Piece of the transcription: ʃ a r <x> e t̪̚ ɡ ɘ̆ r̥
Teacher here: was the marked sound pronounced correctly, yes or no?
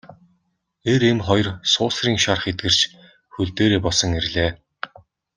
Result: no